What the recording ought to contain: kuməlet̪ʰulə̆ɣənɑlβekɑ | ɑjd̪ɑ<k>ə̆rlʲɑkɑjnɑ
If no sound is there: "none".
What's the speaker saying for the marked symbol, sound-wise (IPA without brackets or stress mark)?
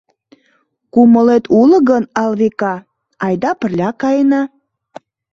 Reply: p